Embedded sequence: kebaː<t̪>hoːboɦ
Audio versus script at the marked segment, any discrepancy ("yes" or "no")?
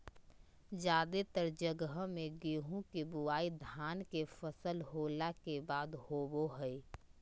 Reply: yes